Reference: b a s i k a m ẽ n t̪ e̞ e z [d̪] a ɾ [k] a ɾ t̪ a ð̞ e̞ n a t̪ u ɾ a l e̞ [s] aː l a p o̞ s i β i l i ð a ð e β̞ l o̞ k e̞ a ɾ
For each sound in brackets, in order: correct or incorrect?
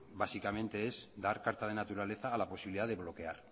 correct, correct, incorrect

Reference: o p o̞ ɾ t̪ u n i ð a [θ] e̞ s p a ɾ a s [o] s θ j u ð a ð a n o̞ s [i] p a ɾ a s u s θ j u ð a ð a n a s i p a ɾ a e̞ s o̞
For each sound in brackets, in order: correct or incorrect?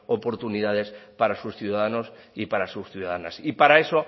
incorrect, incorrect, correct

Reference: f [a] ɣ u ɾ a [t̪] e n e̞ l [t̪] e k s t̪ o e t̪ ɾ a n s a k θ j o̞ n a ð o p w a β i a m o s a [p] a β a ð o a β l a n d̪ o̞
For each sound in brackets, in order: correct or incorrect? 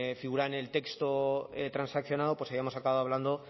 incorrect, incorrect, correct, incorrect

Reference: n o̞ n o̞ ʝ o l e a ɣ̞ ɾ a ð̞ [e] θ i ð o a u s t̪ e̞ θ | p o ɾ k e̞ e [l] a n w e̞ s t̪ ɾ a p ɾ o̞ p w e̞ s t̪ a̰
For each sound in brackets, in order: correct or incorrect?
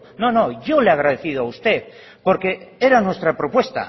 correct, incorrect

